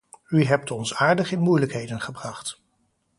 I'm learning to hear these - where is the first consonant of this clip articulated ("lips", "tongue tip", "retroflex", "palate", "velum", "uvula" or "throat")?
throat